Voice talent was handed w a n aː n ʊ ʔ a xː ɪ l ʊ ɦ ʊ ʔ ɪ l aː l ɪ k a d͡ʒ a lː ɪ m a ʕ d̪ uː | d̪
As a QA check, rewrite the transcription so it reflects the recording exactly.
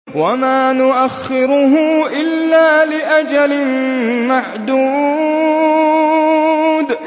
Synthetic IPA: w a m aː n ʊ ʔ a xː ɪ ɾ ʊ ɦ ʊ ʔ ɪ lː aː l ɪ ʔ a d͡ʒ a l ɪ m a ʕ d̪ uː | d̪